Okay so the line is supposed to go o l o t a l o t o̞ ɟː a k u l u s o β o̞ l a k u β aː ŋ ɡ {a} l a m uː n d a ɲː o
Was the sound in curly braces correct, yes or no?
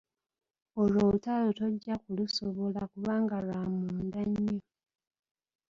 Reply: yes